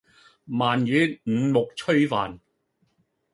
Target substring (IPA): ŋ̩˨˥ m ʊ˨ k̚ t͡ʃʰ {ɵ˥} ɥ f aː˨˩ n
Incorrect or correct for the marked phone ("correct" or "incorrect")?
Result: correct